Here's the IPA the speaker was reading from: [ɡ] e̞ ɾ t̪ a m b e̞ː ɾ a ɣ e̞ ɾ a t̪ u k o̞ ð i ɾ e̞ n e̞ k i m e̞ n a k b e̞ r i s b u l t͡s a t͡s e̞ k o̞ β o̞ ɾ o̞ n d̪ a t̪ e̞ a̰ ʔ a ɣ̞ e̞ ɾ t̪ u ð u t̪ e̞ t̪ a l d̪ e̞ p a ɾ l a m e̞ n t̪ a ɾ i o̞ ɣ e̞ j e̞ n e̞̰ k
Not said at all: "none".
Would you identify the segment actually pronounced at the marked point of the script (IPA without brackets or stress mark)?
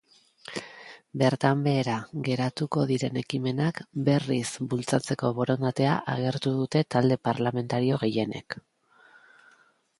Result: b